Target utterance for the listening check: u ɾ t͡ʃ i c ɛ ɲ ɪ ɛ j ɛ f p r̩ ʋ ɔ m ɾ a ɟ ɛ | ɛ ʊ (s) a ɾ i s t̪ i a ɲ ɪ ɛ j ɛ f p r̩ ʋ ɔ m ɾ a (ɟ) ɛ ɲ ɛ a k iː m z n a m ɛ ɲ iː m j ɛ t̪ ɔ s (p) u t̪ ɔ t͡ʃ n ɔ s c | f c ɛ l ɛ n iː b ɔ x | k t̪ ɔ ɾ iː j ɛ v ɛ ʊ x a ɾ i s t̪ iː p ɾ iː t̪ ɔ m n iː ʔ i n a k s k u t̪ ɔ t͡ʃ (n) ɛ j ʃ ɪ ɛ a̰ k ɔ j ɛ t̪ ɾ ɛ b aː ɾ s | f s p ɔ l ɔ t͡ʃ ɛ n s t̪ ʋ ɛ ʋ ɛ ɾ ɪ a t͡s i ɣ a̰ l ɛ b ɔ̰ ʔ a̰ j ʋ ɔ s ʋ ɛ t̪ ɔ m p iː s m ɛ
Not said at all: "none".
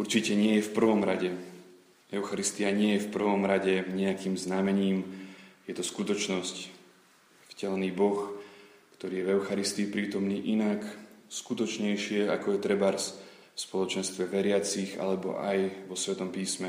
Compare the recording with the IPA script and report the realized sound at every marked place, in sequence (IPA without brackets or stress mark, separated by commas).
x, ɟ, k, ɲ